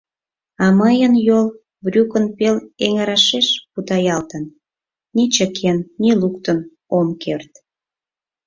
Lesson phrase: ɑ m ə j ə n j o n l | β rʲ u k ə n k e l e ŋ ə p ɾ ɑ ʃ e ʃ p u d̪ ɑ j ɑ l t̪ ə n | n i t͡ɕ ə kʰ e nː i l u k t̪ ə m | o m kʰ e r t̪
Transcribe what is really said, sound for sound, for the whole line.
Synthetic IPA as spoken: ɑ m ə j ə n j o l | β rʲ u k ə n p e l e ŋ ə ɾ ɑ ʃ e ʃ p u t̪ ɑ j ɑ l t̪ ə n | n i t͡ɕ ə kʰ e nː i l u k t̪ ə n | o m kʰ e r t̪